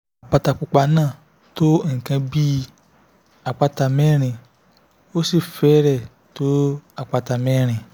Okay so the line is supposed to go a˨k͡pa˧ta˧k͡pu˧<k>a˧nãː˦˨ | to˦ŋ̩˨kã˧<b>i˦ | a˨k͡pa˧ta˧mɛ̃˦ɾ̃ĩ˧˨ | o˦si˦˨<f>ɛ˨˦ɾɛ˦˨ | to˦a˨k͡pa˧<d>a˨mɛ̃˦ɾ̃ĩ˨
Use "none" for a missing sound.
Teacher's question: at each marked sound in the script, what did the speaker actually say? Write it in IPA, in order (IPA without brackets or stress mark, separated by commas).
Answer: k͡p, b, f, t